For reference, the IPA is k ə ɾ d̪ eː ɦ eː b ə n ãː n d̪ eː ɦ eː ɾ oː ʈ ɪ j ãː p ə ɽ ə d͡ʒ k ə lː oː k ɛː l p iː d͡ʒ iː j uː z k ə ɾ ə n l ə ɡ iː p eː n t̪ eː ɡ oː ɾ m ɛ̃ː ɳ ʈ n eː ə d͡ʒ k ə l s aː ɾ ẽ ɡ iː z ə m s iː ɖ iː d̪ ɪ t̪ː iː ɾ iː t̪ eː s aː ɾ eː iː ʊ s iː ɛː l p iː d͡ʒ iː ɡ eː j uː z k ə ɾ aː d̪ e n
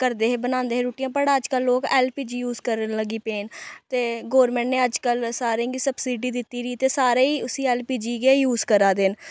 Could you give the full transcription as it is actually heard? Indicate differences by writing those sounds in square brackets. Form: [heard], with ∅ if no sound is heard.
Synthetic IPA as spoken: k ə ɾ d̪ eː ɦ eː b ə n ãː n d̪ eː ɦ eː ɾ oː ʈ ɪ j ãː p ə ɽ ə d͡ʒ k ə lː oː k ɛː l p iː d͡ʒ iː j uː z k ə ɾ ə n l ə ɡ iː p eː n t̪ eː ɡ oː ɾ m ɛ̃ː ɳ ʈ n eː ə d͡ʒ k ə l s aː ɾ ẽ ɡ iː [s] ə [b] s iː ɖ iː d̪ ɪ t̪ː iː ɾ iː t̪ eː s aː ɾ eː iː ʊ s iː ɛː l p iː d͡ʒ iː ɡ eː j uː z k ə ɾ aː d̪ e n